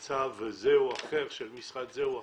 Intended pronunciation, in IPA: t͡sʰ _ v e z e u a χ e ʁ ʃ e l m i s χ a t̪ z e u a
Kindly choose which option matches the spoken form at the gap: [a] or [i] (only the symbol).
a